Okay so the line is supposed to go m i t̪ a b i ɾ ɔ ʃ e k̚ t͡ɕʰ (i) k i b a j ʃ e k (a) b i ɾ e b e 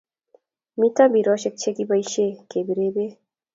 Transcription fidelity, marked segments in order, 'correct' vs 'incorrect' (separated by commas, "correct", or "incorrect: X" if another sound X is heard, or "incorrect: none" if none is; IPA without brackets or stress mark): incorrect: e, incorrect: e